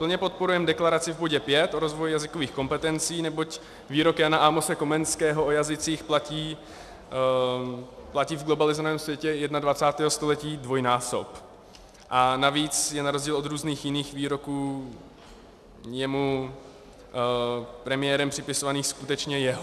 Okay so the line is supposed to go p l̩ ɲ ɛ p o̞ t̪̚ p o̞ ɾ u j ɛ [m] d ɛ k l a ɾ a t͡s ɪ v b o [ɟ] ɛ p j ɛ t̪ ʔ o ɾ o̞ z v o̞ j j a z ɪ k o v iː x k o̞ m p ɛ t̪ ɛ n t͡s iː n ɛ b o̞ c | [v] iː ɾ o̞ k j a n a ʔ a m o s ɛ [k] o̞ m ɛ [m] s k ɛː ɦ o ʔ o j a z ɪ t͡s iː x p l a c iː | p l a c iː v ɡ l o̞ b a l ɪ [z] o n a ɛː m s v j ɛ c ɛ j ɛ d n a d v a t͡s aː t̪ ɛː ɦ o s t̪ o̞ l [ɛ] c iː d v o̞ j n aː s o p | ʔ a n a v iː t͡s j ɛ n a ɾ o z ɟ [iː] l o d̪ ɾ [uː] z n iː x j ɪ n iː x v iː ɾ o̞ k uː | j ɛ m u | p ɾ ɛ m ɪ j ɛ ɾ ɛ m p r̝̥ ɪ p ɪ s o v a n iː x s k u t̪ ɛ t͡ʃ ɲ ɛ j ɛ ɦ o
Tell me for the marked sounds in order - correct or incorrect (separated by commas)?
correct, correct, correct, correct, incorrect, correct, correct, correct, correct